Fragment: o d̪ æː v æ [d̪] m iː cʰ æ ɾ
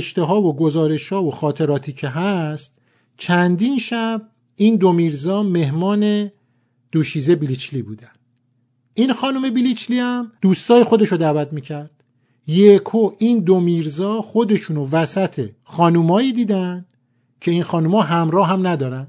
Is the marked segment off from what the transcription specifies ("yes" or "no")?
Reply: yes